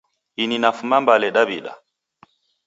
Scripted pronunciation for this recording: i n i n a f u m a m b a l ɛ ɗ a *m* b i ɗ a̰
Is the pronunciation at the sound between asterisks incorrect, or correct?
incorrect